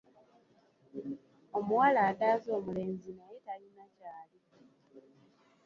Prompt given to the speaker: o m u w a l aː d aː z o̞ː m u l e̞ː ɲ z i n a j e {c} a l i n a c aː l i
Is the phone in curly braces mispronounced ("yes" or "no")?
yes